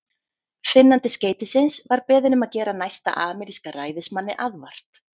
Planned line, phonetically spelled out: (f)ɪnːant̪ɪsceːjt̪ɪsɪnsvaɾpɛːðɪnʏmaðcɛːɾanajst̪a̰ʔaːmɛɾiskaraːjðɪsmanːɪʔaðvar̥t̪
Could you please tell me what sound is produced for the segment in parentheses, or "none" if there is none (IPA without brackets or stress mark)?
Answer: f